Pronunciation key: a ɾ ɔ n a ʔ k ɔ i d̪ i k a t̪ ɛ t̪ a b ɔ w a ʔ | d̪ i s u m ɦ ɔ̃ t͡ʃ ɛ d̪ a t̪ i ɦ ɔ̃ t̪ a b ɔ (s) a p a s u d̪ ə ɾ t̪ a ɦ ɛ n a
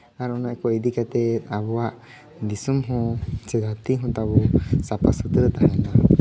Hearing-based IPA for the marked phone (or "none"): s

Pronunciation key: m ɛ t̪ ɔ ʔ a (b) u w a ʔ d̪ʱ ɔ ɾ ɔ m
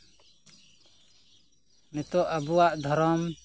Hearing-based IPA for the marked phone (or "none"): b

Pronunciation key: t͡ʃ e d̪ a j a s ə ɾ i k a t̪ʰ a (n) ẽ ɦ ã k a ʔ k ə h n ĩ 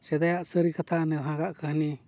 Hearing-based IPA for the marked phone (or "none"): n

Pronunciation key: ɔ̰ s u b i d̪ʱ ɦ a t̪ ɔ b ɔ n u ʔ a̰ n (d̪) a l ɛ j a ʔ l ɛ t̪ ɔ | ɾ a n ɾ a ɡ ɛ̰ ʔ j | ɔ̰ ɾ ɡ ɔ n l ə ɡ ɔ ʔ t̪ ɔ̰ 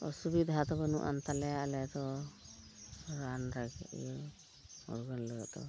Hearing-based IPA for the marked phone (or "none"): t̪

